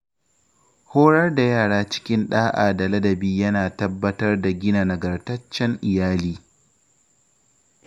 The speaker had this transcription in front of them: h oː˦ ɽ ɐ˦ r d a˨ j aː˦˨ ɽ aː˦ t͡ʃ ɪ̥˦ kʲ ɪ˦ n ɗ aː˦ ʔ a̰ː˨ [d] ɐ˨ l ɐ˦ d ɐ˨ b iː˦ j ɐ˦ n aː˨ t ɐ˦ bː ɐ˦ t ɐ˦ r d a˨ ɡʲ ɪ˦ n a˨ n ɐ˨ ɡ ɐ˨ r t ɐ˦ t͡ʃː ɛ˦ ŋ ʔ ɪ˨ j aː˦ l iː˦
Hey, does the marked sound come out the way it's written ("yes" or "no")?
yes